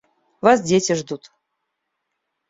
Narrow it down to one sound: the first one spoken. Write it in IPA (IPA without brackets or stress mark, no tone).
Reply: v